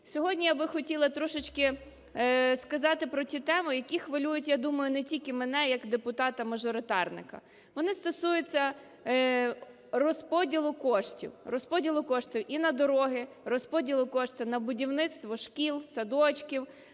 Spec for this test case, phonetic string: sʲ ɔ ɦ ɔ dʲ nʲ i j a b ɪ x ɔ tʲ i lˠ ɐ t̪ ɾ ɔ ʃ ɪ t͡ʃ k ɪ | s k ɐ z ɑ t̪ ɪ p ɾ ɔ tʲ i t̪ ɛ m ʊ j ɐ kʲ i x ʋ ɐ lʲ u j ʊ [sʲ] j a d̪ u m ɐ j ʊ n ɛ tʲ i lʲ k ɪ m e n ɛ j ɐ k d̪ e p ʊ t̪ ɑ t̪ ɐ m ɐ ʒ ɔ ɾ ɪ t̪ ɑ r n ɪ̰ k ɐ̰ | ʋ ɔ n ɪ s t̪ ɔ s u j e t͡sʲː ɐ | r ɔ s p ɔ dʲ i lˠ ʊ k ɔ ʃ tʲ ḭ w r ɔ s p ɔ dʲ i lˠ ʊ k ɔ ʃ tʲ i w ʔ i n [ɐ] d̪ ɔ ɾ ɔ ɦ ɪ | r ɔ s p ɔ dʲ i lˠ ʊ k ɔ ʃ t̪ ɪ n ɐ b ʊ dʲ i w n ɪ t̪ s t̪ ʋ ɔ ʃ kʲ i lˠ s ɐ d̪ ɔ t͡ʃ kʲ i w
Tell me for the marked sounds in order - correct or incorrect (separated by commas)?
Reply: incorrect, correct